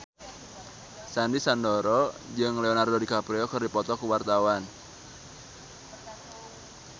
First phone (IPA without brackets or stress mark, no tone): s